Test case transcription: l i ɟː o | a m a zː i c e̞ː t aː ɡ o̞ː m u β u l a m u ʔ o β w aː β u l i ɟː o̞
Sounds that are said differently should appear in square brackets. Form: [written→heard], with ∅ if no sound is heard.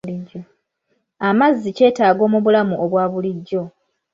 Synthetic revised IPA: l i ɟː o | a m a zː i c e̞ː t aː ɡ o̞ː m u β u l a m u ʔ o β w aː β u l i ɟː o̞